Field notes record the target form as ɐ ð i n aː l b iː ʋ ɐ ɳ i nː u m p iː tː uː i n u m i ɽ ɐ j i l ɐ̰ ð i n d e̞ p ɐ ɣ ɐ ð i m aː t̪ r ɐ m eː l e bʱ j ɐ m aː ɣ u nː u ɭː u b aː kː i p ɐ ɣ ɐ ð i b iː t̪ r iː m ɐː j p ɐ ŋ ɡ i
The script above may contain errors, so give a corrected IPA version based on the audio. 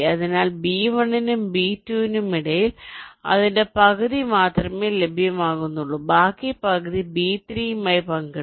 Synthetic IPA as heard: ɐ ð i n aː l b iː ʋ ɐ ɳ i n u m b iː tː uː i n u m i ɽ ɐ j i l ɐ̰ ð i n d e̞ p ɐ ɣ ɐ ð i m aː t̪ r ɐ m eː l e bʱ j ɐ m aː ɣ u nː u ɭː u b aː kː i p ɐ ɣ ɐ ð i b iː t̪ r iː m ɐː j p ɐ ŋ ɡ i